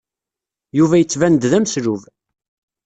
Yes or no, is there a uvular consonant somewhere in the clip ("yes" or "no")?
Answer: no